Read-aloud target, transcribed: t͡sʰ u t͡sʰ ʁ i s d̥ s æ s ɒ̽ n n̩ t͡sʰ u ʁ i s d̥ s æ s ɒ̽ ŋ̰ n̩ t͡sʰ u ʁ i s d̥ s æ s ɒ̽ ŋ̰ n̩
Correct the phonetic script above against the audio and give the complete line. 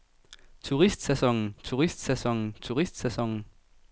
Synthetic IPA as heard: t͡sʰ u ʁ i s d̥ s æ s ɒ̽ ŋ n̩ t͡sʰ u ʁ i s d̥ s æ s ɒ̽ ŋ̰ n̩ t͡sʰ u ʁ i s d̥ s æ s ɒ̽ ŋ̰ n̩